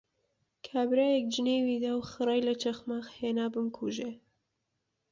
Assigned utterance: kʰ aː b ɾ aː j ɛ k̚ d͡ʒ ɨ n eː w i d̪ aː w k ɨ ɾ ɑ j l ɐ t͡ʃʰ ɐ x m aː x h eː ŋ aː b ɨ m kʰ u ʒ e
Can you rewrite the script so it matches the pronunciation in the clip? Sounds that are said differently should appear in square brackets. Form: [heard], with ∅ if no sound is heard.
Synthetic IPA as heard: kʰ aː b ɾ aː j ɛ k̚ d͡ʒ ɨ n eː w i d̪ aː w [x] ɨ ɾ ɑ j l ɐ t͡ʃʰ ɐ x m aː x h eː [n] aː b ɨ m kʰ u ʒ e